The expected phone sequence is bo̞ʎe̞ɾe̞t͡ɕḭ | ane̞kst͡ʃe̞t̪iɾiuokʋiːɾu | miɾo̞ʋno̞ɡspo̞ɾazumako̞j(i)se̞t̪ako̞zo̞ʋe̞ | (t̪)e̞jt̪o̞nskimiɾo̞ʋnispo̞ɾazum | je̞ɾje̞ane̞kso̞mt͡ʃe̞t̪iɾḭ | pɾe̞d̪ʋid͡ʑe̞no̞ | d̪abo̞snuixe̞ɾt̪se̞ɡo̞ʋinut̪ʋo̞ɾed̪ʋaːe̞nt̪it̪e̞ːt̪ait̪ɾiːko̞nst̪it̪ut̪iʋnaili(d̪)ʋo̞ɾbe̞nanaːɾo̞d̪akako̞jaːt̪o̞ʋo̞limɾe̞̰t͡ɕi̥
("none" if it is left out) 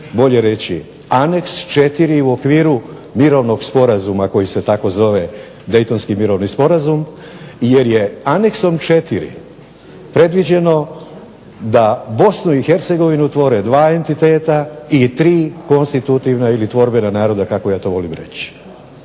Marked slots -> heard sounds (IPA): i, d̪, t̪

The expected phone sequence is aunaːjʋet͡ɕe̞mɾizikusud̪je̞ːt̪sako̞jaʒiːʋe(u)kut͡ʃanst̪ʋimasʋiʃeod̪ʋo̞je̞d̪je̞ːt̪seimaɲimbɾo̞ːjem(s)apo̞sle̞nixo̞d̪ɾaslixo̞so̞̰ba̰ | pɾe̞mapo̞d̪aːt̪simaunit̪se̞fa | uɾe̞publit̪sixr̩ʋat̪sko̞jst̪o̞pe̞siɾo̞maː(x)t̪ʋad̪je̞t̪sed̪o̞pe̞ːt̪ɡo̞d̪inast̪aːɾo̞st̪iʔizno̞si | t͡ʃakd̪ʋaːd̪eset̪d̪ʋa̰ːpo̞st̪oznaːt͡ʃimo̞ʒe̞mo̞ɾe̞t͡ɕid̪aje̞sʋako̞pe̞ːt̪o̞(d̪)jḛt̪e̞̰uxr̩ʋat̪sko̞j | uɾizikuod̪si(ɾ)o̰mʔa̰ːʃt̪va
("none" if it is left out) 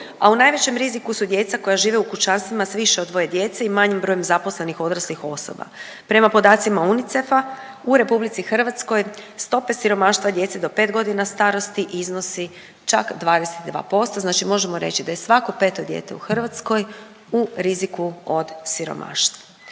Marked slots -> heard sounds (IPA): u, z, ʃ, d̪, ɾ

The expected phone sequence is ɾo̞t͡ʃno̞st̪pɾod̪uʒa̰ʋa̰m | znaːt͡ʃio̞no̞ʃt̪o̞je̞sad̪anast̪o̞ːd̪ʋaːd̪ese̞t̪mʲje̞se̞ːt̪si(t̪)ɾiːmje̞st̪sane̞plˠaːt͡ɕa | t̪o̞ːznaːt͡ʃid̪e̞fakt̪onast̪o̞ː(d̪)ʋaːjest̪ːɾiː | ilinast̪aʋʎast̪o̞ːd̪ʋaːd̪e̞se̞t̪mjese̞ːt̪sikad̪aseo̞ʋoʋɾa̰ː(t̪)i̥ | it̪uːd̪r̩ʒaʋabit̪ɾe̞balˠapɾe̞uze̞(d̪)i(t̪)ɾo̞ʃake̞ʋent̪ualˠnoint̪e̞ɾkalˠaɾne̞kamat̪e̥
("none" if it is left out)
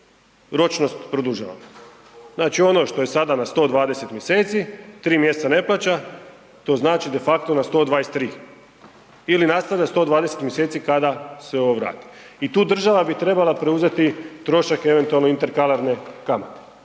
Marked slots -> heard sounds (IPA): t̪, d̪, t̪, t̪, t̪

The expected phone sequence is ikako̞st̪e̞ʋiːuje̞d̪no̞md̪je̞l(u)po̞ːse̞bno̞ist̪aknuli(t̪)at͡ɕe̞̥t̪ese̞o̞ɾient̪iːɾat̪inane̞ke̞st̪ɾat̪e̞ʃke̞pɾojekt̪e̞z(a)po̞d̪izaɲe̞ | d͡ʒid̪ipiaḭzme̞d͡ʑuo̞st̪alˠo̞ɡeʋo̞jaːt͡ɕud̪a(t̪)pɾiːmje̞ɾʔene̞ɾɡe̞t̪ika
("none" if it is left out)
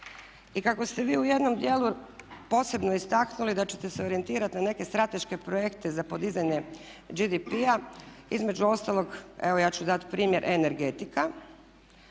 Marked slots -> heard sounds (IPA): u, d̪, a, t̪

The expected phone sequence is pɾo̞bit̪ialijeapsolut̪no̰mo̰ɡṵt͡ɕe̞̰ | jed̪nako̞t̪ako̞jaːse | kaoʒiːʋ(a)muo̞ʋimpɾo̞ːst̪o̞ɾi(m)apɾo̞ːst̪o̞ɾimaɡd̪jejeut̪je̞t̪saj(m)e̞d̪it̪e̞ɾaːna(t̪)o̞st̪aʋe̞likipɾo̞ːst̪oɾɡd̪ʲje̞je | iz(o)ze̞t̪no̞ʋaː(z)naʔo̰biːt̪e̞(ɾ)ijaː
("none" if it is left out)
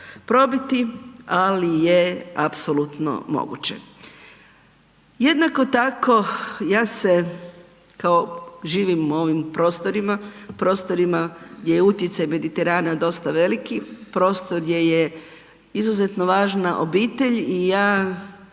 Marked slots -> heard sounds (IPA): i, m, m, d̪, u, ʒ, ʎ

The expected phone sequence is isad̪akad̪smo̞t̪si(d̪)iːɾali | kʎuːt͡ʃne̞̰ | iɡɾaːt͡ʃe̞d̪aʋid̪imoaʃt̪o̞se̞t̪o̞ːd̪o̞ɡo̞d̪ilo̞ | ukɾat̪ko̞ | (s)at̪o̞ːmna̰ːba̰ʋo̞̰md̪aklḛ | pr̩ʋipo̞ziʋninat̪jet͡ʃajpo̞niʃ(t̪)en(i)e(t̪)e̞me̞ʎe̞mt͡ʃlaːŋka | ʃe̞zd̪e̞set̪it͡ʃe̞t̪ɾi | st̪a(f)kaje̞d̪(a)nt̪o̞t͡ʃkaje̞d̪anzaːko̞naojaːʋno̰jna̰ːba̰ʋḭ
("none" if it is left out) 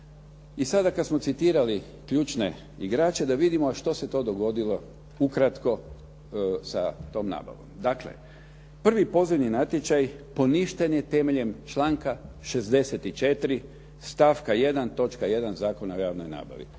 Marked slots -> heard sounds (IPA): t̪, s, t̪, j, t̪, f, a

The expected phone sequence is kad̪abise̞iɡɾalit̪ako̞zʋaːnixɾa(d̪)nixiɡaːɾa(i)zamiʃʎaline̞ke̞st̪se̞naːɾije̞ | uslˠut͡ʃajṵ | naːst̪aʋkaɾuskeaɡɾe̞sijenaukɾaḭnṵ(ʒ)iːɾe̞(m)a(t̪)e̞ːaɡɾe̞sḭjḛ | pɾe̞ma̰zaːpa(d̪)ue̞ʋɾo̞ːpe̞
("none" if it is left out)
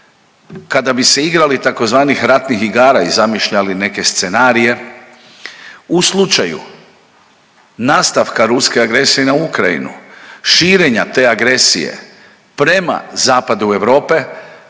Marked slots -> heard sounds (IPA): t̪, i, ʃ, ɲ, t̪, d̪

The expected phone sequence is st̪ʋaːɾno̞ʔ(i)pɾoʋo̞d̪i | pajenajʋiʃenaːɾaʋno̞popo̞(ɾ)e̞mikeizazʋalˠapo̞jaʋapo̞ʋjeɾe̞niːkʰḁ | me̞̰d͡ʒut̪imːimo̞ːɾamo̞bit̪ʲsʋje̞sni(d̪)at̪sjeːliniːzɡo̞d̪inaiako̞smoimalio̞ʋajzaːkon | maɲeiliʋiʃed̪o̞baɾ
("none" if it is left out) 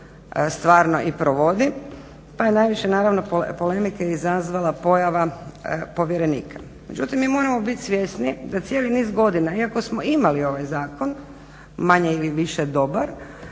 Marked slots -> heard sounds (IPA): i, l, d̪

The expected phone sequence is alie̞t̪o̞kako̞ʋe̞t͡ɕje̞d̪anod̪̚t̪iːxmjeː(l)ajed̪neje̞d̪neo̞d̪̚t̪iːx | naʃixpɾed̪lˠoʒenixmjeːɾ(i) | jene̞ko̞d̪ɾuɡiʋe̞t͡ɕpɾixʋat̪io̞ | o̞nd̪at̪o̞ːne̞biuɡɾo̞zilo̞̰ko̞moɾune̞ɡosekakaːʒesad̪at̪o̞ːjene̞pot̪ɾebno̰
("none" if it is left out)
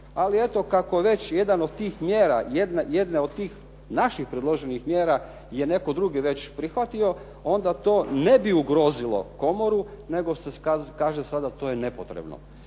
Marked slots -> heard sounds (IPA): ɾ, a

